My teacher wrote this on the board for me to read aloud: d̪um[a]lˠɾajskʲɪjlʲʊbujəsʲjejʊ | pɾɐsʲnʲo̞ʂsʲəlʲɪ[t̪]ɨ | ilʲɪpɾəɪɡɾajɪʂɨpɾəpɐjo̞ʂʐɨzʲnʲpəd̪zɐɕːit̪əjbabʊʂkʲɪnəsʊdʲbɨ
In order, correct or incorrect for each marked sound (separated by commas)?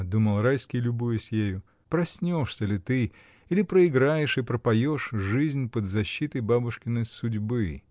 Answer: incorrect, correct